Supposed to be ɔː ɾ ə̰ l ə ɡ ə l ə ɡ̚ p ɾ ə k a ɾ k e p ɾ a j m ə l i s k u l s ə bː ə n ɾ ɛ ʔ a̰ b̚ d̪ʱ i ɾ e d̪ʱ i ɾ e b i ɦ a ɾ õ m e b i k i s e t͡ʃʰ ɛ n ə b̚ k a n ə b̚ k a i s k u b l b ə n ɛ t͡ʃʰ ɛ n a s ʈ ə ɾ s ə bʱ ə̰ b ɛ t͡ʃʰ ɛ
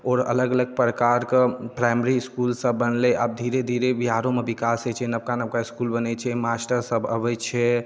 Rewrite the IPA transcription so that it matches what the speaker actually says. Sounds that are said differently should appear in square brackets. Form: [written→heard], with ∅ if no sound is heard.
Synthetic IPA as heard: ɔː ɾ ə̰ l ə ɡ ə l ə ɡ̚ p ɾ ə k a ɾ k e p ɾ a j m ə [l→ɾ] i s k u l s ə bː ə n [ɾ→l] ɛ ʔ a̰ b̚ d̪ʱ i ɾ e d̪ʱ i ɾ e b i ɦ a ɾ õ m e b i k [i→a] s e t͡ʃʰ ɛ n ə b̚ k a n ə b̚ k a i s k u [b→∅] l b ə n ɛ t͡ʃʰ ɛ [n→m] a s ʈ ə ɾ s ə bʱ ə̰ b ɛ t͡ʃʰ ɛ